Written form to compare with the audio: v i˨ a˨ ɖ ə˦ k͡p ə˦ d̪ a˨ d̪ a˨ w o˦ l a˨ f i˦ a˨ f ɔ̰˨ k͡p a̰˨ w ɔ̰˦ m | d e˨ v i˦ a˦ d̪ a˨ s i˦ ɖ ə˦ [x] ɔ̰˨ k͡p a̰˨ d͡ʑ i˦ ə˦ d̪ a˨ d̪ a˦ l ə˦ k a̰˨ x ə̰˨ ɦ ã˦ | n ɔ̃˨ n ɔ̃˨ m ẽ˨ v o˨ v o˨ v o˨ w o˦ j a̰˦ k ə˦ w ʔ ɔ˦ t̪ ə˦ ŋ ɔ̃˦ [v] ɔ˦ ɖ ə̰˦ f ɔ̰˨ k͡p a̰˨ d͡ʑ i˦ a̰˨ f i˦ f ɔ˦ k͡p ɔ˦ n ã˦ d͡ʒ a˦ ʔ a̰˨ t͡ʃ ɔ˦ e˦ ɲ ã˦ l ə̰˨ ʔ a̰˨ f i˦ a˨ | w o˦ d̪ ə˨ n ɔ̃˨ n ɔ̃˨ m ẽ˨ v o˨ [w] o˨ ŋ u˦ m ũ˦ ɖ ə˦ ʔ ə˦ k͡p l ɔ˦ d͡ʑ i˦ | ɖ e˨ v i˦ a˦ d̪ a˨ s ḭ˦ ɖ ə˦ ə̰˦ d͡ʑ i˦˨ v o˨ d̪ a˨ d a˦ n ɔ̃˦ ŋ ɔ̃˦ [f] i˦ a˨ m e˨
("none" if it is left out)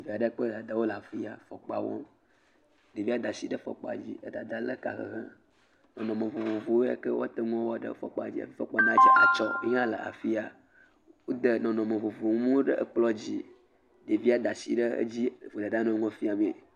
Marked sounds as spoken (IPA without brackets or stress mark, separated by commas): f, w, v, f